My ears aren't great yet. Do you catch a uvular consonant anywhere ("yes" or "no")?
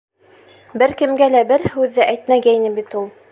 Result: no